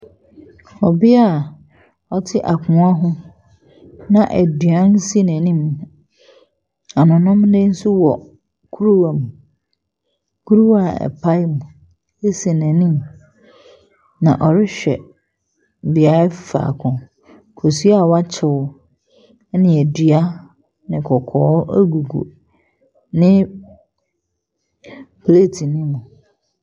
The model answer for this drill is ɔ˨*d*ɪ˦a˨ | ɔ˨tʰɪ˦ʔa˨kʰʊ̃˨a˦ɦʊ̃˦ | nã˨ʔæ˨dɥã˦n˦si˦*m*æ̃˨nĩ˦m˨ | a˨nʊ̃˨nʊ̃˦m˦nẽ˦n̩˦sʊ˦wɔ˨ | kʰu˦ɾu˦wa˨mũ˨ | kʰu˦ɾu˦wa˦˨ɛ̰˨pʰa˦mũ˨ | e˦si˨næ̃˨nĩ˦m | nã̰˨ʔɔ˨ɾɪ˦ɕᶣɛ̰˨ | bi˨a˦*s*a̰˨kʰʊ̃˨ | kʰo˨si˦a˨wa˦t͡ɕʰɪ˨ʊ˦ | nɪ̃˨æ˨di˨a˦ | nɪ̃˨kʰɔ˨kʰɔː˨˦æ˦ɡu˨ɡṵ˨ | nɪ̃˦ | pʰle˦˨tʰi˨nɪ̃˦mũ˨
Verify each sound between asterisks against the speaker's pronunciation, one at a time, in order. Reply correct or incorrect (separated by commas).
incorrect, incorrect, incorrect